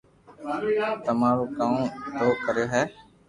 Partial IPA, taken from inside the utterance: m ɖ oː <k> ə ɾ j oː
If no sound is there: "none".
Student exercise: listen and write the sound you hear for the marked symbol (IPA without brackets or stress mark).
k